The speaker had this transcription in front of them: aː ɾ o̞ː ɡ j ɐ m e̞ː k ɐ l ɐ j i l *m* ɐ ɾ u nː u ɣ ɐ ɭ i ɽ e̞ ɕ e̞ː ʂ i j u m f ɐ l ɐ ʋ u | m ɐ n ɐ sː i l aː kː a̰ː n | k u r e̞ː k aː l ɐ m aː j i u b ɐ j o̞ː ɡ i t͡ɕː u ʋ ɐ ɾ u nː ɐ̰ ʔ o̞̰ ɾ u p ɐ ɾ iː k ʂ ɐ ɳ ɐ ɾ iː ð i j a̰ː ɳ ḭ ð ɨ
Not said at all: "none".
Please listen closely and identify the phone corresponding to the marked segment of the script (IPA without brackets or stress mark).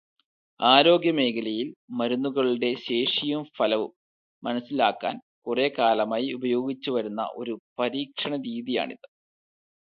m